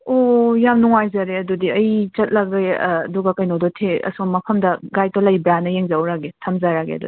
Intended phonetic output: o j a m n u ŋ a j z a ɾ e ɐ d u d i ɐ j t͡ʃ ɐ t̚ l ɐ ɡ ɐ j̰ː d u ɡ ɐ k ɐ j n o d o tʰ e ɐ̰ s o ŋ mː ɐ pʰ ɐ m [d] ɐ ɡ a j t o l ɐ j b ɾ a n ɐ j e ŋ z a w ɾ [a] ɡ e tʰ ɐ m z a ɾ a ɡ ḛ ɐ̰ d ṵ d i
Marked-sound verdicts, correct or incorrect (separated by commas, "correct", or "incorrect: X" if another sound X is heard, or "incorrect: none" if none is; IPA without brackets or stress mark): correct, correct